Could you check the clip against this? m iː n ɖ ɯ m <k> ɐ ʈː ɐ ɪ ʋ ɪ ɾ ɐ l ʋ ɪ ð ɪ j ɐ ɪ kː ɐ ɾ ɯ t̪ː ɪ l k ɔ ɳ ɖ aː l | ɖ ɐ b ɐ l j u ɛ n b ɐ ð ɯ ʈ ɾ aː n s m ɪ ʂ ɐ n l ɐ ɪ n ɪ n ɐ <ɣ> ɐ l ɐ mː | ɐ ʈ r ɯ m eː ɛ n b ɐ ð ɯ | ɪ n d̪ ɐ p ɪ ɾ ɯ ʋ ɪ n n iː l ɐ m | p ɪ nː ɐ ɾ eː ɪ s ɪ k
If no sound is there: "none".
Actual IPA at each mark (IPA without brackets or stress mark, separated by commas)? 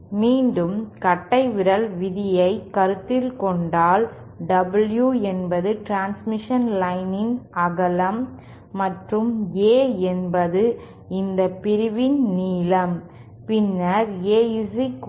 k, ɣ